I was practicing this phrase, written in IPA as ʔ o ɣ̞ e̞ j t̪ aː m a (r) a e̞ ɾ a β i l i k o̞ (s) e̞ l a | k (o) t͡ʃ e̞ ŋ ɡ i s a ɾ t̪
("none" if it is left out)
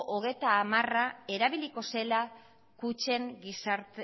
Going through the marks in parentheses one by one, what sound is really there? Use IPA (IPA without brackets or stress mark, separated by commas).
r, s, u